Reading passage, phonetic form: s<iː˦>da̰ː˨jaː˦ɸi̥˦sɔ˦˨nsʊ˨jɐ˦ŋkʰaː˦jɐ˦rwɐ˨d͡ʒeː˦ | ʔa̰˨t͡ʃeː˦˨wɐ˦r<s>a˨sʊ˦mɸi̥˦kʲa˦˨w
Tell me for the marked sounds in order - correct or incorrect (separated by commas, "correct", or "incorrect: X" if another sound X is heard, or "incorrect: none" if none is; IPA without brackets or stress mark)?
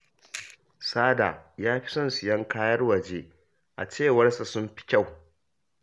incorrect: aː˦, correct